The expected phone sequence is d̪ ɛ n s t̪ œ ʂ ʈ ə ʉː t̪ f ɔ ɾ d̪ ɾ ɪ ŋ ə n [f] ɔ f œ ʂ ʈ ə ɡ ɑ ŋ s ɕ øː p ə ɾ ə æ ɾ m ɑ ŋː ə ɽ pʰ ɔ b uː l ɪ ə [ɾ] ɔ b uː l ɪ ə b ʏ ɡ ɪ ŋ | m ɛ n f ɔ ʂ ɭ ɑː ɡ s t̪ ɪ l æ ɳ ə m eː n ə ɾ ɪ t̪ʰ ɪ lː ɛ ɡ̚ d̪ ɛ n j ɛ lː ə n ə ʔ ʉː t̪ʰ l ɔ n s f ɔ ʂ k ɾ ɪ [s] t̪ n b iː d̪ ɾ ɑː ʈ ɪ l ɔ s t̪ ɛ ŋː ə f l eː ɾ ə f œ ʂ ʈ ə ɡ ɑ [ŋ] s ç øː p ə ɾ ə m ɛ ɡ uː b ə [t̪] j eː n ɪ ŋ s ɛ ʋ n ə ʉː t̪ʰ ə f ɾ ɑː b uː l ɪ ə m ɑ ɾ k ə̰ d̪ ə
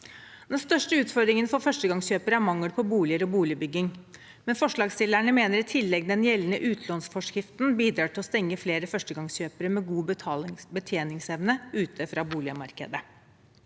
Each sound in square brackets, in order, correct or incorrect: correct, correct, incorrect, correct, incorrect

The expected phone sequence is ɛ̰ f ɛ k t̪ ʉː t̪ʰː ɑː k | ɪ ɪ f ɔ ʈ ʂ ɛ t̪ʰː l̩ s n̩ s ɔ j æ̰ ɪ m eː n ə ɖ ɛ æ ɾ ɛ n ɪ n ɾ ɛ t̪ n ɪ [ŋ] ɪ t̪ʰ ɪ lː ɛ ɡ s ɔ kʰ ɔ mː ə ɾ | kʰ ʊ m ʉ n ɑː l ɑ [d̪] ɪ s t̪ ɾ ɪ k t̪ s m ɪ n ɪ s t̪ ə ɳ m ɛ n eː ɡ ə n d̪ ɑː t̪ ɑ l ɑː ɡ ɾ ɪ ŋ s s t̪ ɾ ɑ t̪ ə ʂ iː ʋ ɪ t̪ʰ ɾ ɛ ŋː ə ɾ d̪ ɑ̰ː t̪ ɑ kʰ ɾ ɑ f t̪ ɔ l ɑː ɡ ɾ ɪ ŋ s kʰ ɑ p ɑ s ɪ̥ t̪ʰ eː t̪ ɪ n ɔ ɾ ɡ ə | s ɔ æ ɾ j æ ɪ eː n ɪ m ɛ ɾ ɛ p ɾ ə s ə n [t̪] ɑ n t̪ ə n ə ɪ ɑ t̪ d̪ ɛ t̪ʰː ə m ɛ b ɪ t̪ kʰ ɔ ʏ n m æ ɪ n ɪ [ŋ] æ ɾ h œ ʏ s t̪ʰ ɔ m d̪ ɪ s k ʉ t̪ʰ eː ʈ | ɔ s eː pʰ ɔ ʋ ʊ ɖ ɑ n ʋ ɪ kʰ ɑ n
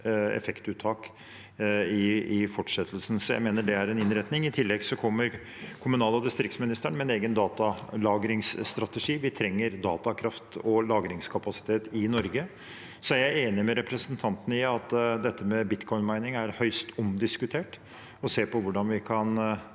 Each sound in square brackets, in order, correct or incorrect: correct, correct, incorrect, correct

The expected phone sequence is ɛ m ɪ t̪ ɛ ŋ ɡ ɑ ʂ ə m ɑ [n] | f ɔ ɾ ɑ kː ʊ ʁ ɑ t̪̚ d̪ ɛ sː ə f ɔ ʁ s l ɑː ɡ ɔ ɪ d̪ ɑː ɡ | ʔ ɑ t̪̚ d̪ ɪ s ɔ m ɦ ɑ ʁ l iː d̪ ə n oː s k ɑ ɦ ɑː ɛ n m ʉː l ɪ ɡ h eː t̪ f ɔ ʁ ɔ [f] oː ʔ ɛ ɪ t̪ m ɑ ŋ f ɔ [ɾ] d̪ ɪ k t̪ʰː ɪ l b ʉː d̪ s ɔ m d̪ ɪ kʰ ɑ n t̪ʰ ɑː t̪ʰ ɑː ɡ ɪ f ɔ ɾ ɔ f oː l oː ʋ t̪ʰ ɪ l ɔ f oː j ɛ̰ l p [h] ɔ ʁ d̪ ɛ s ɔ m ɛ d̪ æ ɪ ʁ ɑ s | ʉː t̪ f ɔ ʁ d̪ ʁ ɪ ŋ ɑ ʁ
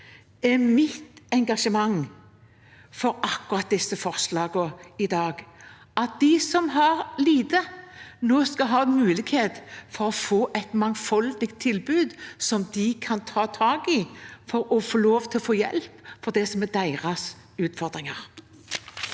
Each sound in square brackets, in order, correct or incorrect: incorrect, correct, incorrect, incorrect

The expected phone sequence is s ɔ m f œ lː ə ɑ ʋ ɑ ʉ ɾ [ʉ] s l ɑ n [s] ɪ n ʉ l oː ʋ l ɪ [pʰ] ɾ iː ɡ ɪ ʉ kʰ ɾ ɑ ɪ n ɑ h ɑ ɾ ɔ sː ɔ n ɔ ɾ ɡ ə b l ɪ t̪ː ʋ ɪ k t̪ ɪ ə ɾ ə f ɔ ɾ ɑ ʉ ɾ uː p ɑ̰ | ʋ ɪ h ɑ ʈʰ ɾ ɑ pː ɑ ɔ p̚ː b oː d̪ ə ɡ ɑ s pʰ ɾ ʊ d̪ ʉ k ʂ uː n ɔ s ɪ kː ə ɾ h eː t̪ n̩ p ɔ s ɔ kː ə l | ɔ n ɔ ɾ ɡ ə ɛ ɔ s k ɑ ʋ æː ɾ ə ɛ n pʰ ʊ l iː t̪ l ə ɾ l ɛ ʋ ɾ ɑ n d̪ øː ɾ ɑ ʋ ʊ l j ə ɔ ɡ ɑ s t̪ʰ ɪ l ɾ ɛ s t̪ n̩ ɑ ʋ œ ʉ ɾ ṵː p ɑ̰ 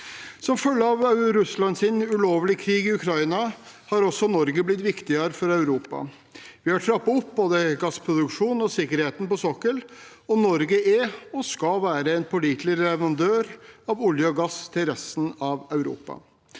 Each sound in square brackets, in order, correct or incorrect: correct, correct, incorrect

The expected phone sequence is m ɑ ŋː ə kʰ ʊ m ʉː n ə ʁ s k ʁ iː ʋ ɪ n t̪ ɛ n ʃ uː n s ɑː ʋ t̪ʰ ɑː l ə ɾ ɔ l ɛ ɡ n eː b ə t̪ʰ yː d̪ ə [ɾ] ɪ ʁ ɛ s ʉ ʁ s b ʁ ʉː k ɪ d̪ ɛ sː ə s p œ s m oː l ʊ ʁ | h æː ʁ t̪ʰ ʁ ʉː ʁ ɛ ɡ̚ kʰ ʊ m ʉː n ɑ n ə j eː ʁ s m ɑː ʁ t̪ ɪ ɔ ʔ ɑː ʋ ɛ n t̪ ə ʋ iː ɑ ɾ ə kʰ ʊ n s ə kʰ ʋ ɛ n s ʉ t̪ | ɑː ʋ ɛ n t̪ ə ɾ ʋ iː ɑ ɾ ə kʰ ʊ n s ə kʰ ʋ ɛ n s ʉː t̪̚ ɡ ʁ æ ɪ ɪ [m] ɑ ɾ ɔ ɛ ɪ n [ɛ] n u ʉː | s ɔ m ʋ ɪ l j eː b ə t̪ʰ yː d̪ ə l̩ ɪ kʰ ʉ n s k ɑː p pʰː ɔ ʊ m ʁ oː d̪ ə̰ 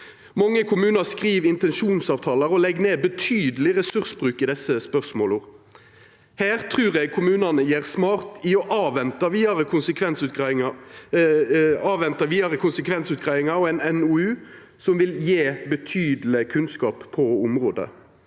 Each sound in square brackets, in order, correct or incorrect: incorrect, incorrect, correct

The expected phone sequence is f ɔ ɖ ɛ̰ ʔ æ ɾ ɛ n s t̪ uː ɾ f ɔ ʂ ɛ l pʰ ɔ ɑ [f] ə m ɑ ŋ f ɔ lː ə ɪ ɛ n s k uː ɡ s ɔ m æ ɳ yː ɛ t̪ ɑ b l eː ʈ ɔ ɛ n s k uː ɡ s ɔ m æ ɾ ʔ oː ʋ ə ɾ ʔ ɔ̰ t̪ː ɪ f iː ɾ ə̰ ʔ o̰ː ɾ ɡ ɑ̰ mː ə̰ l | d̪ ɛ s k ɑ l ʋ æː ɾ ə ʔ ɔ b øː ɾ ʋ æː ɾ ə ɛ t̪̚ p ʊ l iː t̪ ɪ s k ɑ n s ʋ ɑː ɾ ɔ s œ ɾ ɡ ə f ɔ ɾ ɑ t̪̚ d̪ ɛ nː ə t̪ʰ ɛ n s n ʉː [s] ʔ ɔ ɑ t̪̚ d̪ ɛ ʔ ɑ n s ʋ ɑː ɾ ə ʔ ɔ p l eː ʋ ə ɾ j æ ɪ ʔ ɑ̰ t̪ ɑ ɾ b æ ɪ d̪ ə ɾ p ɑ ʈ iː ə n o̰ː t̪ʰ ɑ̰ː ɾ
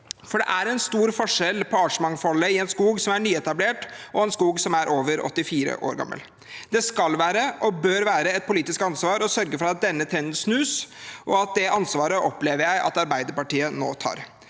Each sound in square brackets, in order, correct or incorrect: incorrect, correct

